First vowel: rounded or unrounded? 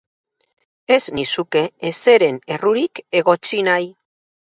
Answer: unrounded